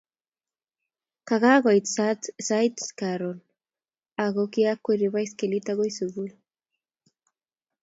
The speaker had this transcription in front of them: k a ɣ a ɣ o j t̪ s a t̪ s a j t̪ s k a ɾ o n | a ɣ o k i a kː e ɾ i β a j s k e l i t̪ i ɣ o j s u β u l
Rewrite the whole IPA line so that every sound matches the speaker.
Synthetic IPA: k a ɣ a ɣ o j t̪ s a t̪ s a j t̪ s k a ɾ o n | a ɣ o k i a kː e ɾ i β a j s k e l i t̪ a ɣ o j s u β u l